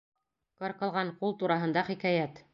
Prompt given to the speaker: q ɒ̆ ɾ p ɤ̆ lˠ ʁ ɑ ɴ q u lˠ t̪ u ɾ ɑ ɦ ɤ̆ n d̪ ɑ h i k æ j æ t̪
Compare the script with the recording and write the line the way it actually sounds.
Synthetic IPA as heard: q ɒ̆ ɾ q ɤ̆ lˠ ʁ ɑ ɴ q u lˠ t̪ u ɾ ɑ ɦ ɤ̆ n d̪ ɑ χ i k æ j æ t̪